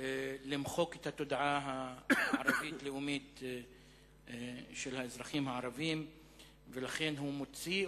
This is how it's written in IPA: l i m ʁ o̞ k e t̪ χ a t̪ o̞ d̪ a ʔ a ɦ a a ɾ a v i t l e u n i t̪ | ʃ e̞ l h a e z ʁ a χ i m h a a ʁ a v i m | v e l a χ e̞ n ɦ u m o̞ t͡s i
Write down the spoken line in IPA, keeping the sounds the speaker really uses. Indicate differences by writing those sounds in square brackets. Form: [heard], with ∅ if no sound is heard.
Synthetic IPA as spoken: l i m [χ] o̞ k e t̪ [h] a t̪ o̞ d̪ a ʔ a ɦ a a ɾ a v i t l e u [m] i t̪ | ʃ e̞ l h a e z ʁ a χ i m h a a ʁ a v i m | v e l a χ e̞ n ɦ u m o̞ t͡s i

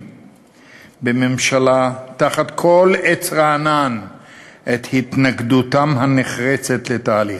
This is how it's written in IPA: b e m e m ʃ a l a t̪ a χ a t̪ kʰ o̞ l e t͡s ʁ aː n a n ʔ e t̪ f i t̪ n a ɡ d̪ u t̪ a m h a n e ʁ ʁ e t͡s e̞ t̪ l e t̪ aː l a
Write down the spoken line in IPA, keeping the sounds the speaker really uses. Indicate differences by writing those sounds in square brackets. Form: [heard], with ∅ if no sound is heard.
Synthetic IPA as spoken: b e m e m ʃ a l a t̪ a χ a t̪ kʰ o̞ l e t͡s ʁ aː n a n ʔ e t̪ [h] i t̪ n a ɡ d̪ u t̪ a m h a n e [χ] ʁ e t͡s e̞ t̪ l e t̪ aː l [i]

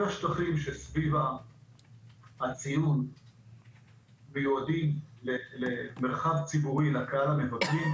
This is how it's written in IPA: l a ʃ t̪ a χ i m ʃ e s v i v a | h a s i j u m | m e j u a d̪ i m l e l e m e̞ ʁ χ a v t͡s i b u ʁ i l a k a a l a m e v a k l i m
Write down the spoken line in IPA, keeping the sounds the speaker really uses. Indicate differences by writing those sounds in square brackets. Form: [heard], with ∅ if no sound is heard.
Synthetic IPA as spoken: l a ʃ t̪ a χ i m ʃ e s v i v a | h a [t͡s] i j u [n] | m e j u a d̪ i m l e l e m e̞ ʁ χ a v t͡s i b u ʁ i l a k a a l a m e v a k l i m

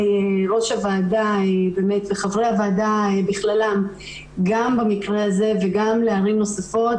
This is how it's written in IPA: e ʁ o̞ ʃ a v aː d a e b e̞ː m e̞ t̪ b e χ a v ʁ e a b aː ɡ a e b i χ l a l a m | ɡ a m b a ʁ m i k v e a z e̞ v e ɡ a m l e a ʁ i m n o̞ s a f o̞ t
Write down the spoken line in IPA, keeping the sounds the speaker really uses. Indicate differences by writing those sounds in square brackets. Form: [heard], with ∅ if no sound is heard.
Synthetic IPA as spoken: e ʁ o̞ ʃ a v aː d a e b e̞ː m e̞ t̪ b e χ a v ʁ e a [v] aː [d] a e b i χ l a l a m | ɡ a m b a [∅] m i k [ʁ] e a z e̞ v e ɡ a m l e a ʁ i m n o̞ s a f o̞ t

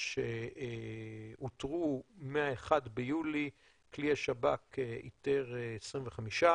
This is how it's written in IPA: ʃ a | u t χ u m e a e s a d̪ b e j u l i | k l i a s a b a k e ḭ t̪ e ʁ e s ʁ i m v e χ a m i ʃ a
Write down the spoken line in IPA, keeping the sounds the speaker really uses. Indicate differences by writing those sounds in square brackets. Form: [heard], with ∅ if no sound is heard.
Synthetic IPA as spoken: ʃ [e] | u t [ʁ] u m e a e [χ] a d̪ b e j u l i | k l i a [ʃ] a b a k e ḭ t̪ e ʁ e s ʁ i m v e χ a m i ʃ a

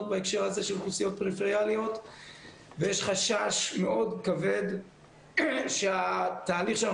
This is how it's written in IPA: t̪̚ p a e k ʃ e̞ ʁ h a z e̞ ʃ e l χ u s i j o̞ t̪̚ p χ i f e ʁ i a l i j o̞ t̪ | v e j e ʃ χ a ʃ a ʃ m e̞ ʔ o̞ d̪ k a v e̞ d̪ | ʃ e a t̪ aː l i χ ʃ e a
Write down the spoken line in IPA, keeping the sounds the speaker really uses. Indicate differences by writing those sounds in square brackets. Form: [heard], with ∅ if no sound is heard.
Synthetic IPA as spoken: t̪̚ [b] a e k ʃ e̞ ʁ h a z e̞ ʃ e l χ u s i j o̞ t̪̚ p [ʁ] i f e ʁ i a l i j o̞ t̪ | v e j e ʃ χ a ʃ a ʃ m e̞ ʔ o̞ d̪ k a v e̞ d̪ | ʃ e a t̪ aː l i χ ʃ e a

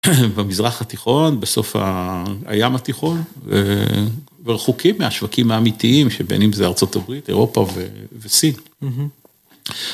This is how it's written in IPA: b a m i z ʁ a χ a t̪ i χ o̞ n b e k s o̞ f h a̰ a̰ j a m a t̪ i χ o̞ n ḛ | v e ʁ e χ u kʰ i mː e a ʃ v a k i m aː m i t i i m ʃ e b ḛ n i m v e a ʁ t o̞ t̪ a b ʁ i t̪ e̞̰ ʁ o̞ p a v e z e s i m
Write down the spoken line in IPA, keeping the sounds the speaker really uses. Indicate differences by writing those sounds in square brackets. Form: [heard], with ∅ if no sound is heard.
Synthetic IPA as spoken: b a m i z ʁ a χ a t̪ i χ o̞ n b e [∅] s o̞ f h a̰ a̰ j a m a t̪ i χ o̞ n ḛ | v e ʁ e χ u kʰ i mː e a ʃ v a k i m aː m i t i i m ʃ e b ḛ n i m [z] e a ʁ [t͡s] o̞ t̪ a b ʁ i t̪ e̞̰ ʁ o̞ p a v e [v] e s i [n]

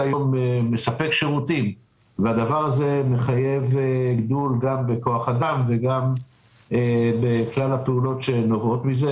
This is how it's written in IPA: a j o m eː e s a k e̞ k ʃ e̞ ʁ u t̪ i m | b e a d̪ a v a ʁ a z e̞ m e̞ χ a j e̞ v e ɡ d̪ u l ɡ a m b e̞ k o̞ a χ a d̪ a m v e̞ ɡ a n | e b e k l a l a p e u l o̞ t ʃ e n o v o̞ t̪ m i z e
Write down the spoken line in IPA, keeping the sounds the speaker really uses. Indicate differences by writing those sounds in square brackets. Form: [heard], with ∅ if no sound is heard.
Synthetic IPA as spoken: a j o m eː e s a [p] e̞ k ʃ e̞ ʁ u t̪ i m | [v] e a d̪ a v a ʁ a z e̞ m e̞ χ a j e̞ v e ɡ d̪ u l ɡ a m b e̞ k o̞ a χ a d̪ a m v e̞ ɡ a [m] | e b e k l a l a p e u l o̞ t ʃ e n o v o̞ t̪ m i z e

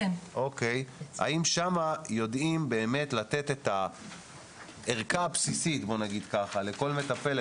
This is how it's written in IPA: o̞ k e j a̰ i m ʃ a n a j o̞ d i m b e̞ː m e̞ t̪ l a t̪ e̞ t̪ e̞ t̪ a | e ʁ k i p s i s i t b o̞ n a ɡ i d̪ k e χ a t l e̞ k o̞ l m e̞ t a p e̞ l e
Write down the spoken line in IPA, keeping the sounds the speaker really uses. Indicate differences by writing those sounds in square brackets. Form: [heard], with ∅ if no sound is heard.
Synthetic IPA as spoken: o̞ k e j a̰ i m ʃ a [m] a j o̞ d i m b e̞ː m e̞ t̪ l a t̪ e̞ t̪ e̞ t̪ a | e ʁ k [a] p s i s i t b o̞ n a ɡ i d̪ k [a] χ a [∅] l e̞ k o̞ l m e̞ t a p e̞ l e

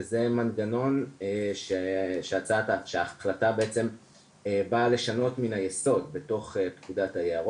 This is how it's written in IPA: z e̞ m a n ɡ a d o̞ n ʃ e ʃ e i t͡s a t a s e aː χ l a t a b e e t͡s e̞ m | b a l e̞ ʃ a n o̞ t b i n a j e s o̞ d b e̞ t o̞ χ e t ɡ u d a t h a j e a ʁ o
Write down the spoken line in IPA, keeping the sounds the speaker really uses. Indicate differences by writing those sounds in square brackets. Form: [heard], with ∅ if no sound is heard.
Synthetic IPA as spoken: z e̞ m a n ɡ a [n] o̞ n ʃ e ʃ e [a] t͡s a t a [ʃ] e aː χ l a t a b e e t͡s e̞ m | b a l e̞ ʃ a n o̞ t [m] i n a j e s o̞ d b e̞ t o̞ χ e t [k] u d a t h a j e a ʁ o

